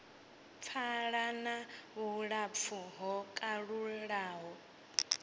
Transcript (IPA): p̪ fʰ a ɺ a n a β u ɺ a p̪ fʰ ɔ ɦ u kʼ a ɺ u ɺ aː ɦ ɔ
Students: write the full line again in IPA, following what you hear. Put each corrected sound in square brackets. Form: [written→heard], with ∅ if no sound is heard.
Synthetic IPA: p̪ fʰ a ɺ a n a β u ɺ a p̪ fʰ [ɔ→u] ɦ [u→ɔ] kʼ a ɺ u ɺ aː ɦ ɔ